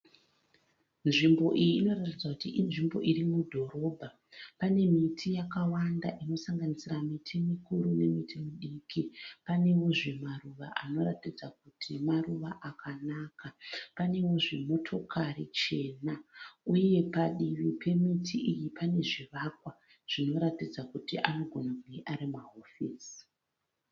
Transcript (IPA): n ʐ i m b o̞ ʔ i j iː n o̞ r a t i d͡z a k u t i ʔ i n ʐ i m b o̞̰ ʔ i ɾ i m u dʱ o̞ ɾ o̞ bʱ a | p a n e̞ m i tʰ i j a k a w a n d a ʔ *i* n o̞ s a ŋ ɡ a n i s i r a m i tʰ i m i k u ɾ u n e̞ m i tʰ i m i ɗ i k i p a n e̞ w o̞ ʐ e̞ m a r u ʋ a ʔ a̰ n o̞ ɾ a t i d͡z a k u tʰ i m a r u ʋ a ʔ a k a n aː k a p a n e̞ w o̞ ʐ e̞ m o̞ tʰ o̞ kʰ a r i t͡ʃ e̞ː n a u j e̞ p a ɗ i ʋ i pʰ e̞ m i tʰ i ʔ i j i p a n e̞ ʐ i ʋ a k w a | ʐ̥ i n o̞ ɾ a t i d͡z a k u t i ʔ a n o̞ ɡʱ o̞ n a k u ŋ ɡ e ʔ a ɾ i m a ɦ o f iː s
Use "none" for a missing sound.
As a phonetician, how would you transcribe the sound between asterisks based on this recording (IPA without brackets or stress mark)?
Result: i